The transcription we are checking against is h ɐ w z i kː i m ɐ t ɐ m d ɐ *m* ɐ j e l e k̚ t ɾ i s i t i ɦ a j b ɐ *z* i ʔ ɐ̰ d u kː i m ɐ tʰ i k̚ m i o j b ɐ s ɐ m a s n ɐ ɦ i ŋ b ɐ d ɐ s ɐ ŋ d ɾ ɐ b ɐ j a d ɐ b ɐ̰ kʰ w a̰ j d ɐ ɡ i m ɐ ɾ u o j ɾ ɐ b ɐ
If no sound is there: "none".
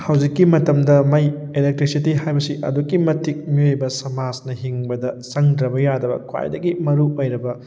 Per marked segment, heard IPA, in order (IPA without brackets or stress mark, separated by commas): m, s